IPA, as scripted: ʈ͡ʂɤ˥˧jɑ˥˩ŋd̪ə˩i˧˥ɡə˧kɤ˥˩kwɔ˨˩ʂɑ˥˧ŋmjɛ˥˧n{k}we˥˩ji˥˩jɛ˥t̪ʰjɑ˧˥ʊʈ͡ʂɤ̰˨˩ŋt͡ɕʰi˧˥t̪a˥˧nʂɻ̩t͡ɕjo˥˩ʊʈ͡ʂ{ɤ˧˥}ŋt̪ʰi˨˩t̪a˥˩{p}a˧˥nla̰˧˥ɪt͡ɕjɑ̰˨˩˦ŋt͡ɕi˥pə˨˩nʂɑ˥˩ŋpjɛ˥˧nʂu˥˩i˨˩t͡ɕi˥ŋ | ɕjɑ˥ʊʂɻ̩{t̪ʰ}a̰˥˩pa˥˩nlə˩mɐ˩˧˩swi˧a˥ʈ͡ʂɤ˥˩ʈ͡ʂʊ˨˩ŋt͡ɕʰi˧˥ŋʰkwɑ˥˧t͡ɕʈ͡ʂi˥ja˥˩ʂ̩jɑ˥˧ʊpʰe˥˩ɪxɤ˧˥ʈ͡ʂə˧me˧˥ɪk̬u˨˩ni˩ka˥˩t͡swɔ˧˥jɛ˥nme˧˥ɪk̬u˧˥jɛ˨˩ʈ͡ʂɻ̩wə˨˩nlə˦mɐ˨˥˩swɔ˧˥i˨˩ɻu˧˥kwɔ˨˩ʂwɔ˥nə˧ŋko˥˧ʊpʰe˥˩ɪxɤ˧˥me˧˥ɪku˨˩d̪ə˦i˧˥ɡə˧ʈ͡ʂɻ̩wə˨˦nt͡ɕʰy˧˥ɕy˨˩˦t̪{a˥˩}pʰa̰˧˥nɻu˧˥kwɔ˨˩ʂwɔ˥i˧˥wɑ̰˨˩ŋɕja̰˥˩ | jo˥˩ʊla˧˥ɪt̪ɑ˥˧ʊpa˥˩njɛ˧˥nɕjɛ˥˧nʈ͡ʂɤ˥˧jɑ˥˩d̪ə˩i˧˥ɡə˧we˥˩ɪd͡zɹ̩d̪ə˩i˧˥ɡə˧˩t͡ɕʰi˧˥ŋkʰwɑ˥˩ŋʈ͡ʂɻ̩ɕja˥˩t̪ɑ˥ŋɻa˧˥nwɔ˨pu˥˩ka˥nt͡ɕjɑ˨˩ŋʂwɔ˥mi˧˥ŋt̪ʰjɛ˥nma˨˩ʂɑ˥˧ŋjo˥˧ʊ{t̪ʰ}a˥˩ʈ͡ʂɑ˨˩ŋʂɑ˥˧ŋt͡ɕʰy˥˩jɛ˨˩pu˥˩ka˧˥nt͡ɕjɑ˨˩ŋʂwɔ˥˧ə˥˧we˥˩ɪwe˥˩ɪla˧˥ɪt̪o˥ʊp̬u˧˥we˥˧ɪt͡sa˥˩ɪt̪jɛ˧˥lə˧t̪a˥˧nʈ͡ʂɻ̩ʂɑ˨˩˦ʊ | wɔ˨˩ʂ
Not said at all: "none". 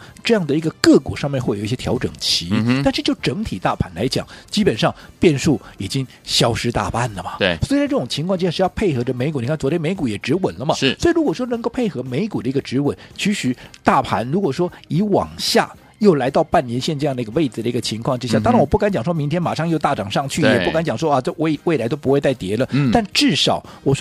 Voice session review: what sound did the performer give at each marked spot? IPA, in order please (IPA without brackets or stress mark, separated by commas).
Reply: x, ɤ˧˥, pʰ, t̪, a˥˩, t̪